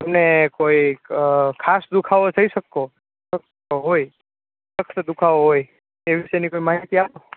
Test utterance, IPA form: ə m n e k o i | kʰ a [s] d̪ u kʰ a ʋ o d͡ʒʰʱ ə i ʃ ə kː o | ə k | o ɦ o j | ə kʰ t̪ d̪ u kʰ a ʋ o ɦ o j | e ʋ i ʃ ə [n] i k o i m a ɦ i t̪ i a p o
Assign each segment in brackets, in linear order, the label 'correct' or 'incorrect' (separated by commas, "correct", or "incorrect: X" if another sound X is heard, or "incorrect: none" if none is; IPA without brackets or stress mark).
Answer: correct, correct